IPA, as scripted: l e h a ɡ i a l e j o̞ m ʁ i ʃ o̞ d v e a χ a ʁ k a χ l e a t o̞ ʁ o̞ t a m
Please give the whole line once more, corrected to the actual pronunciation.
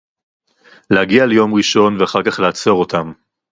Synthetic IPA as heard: l e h a ɡ i a l e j o̞ m ʁ i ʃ o̞ n v e a χ a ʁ k a χ l e a t͡s o̞ ʁ o̞ t a m